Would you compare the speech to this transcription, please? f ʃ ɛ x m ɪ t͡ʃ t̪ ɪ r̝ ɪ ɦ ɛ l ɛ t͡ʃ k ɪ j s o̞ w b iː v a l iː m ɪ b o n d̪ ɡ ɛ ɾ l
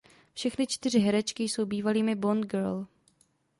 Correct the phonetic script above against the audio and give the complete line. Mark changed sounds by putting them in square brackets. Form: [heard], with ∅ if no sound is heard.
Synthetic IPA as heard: f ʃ ɛ x [n] ɪ t͡ʃ t̪ ɪ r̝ ɪ ɦ ɛ [ɾ] ɛ t͡ʃ k ɪ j s o̞ w b iː v a l iː m ɪ b o n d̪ ɡ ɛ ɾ l

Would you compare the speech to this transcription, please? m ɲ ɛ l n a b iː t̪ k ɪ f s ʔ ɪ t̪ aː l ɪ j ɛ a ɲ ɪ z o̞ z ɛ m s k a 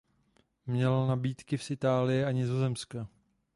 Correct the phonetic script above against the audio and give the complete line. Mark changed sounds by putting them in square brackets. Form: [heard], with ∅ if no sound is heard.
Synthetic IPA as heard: m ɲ ɛ l n a b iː t̪ k ɪ f s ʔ ɪ t̪ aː l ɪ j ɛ a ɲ ɪ z o̞ z ɛ m s k a

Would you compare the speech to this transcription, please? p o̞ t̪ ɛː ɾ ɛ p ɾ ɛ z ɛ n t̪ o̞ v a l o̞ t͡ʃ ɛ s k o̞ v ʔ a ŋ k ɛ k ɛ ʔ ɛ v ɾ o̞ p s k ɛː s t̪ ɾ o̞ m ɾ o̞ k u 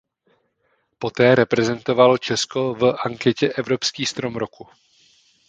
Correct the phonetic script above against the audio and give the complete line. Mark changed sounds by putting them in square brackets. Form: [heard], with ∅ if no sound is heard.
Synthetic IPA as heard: p o̞ t̪ ɛː ɾ ɛ p ɾ ɛ z ɛ n t̪ o̞ v a l o̞ t͡ʃ ɛ s k o̞ v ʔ a ŋ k ɛ [c] ɛ ʔ ɛ v ɾ o̞ p s k [iː] s t̪ ɾ o̞ m ɾ o̞ k u

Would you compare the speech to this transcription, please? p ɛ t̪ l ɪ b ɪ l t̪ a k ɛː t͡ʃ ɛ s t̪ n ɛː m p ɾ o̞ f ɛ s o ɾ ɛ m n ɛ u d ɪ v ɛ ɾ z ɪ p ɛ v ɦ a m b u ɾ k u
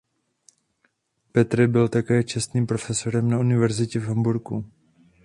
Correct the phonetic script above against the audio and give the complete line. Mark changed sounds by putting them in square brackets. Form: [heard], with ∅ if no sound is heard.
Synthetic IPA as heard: p ɛ t̪ [ɾ] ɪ b ɪ l t̪ a k ɛː t͡ʃ ɛ s t̪ n [iː] m p ɾ o̞ f ɛ s o ɾ ɛ m n [a] u [n] ɪ v ɛ ɾ z ɪ [c] ɛ v ɦ a m b u ɾ k u

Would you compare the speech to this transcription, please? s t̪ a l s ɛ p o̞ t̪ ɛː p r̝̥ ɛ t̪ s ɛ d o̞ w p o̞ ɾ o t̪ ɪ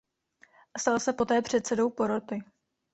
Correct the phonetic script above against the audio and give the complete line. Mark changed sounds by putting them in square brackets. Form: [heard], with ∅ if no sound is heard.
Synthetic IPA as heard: s t̪ a l s ɛ p o̞ t̪ ɛː p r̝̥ ɛ t̪ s ɛ d o̞ w p o̞ ɾ o t̪ ɪ

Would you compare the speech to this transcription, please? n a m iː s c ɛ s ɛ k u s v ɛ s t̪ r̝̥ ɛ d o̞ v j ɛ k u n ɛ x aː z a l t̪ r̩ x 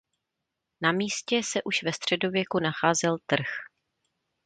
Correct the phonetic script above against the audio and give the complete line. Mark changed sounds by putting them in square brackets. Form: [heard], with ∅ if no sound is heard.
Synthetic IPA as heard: n a m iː s c ɛ s ɛ [ʔ] u [ʃ] v ɛ s t̪ r̝̥ ɛ d o̞ v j ɛ k u n [a] x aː z [ɛ] l t̪ r̩ x

